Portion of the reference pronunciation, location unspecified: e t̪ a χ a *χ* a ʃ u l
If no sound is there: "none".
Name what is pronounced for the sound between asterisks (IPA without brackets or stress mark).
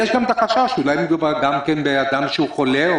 ʃ